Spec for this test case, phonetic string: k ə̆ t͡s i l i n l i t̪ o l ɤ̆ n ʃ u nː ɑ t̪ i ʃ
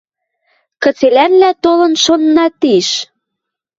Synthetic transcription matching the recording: k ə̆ t͡s e l æ n l æ t̪ o l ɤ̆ n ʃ o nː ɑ t̪ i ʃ